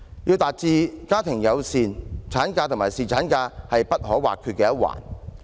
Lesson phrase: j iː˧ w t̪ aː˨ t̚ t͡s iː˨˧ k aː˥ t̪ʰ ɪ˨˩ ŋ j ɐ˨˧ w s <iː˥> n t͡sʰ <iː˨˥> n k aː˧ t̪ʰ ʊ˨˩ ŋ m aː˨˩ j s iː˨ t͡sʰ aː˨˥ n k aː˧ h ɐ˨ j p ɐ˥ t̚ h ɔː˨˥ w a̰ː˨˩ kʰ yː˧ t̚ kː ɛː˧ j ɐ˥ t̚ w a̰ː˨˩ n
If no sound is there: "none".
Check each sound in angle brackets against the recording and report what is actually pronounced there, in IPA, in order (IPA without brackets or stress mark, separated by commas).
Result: iː˨, aː˨˥